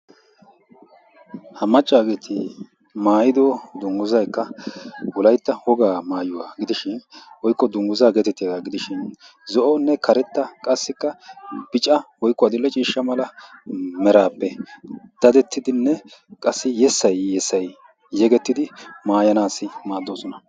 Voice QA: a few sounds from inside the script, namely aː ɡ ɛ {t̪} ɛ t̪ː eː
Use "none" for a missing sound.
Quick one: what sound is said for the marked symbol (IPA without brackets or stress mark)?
t̪